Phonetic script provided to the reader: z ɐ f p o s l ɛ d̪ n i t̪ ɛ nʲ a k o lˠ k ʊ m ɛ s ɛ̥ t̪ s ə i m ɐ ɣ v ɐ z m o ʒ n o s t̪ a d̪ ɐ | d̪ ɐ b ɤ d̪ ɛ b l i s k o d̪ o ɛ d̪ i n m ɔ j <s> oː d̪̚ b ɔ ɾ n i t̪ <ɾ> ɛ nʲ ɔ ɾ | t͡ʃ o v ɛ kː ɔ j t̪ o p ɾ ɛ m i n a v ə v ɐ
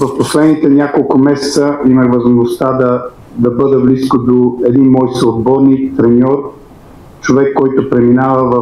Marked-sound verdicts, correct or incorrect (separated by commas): correct, correct